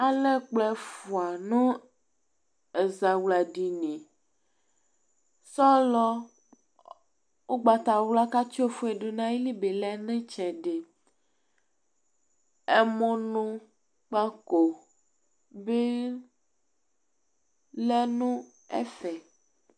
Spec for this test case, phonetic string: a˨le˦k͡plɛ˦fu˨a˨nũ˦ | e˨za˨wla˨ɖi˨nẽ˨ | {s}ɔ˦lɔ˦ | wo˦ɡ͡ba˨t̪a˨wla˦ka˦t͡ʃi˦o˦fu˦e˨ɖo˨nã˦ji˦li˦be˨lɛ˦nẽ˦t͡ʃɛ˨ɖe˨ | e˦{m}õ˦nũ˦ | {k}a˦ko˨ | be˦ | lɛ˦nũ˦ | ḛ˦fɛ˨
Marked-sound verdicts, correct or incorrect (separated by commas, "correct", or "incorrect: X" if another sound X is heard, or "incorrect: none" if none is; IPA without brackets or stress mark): correct, correct, incorrect: k͡p